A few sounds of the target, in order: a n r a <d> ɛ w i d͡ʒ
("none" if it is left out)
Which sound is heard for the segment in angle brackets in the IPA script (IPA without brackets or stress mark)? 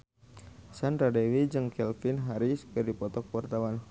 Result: d